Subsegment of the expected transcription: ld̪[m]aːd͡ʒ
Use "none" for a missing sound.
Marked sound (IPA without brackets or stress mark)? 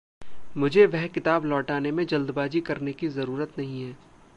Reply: b